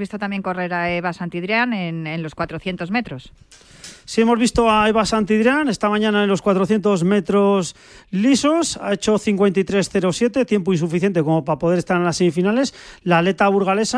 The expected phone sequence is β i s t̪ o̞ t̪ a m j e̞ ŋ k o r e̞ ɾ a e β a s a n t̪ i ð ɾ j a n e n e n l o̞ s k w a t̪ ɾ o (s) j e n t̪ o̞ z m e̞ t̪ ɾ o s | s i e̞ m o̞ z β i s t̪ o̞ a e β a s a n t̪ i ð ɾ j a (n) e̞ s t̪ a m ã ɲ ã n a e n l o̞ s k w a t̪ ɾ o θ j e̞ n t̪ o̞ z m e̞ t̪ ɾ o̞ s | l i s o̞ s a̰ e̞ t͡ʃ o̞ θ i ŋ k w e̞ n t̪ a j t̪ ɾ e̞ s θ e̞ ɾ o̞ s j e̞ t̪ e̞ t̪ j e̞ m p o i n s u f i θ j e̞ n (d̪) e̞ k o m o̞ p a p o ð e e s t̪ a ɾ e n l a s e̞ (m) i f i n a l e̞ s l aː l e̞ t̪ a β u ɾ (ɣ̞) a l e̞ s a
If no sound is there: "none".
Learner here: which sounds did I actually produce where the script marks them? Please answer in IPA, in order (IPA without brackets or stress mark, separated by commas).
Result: θ, n, t̪, m, ɣ̞